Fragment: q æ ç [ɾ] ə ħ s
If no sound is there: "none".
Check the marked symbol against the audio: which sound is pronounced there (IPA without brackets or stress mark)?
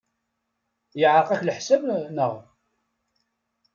l